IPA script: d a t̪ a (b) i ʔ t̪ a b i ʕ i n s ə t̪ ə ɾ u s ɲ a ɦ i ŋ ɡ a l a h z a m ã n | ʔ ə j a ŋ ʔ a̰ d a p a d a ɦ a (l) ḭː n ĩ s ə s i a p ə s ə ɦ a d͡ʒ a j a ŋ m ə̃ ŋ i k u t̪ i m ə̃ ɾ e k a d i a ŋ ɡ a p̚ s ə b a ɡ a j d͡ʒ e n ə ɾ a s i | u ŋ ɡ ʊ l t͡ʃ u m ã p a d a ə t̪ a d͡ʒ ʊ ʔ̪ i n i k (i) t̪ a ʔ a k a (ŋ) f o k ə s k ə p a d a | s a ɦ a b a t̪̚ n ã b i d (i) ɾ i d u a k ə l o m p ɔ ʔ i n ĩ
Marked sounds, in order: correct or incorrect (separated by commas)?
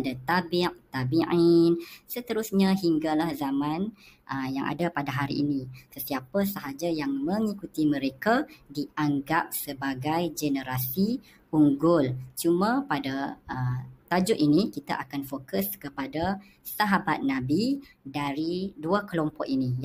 correct, incorrect, correct, incorrect, incorrect